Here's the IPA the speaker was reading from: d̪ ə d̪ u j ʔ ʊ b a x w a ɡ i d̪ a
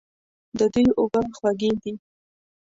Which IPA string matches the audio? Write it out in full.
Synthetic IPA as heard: d̪ ə d̪ u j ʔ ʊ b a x w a ɡ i d̪ i